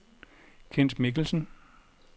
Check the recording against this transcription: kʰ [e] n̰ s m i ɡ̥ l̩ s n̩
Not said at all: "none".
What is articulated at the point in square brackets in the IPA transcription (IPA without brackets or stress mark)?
e